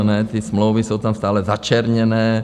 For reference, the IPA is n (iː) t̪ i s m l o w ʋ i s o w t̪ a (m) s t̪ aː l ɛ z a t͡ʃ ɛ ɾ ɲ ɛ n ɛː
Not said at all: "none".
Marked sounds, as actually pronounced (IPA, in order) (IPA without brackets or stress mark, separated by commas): ɛː, m